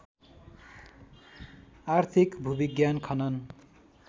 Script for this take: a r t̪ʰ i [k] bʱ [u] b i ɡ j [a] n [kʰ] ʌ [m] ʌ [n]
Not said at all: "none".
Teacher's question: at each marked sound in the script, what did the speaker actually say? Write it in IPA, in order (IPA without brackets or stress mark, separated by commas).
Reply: k, u, a, kʰ, n, n